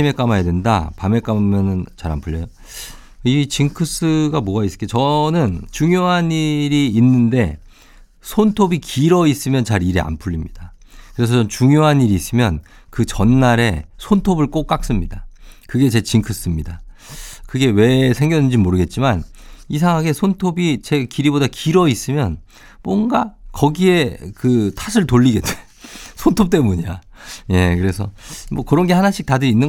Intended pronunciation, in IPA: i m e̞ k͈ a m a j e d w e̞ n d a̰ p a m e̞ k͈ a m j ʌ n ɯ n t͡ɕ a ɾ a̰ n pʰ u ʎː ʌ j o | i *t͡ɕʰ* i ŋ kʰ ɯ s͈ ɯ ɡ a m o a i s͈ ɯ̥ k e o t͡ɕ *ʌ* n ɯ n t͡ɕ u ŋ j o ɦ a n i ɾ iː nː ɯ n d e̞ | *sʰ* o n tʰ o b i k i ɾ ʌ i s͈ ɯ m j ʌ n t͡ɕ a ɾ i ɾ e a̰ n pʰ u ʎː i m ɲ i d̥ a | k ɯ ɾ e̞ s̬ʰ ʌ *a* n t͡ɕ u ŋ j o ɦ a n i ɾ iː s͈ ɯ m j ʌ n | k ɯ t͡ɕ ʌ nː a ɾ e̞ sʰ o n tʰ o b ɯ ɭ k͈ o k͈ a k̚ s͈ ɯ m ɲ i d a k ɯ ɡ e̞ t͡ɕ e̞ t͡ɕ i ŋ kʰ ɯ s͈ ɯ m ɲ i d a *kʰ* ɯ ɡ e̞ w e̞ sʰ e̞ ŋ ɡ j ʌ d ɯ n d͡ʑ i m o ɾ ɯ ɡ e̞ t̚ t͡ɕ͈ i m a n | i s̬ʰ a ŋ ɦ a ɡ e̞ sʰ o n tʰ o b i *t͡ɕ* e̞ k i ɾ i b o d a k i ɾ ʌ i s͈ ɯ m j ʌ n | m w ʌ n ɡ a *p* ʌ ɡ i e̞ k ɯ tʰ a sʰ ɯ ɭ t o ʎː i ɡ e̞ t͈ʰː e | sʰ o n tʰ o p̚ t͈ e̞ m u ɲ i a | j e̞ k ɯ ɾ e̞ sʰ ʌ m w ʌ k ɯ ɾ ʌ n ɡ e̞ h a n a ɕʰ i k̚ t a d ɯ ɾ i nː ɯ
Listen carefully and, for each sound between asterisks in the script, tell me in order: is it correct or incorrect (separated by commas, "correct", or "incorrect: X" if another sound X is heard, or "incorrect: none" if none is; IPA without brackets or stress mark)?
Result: incorrect: t͡ɕ, correct, correct, incorrect: ʌ, incorrect: k, correct, incorrect: k